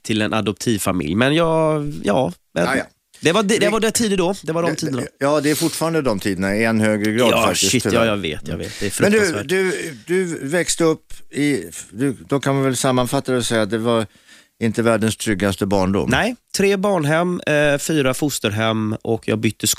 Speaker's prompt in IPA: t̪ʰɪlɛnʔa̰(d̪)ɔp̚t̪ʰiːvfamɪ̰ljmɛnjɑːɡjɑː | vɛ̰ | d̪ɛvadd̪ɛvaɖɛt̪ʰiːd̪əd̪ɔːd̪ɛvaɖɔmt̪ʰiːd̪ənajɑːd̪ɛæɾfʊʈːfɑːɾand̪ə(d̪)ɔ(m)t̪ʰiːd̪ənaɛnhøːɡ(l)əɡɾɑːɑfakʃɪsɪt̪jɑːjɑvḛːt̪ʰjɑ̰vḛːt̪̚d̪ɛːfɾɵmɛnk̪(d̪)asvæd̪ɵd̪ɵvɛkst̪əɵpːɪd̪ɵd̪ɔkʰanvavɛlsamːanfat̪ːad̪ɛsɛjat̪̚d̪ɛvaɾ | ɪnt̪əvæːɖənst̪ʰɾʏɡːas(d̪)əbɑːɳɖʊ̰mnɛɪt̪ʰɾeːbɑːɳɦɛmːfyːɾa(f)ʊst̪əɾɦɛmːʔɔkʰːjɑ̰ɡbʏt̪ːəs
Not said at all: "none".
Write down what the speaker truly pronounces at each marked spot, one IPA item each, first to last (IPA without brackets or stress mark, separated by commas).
d̪, d̪, m, ɾ, d̪, t̪, f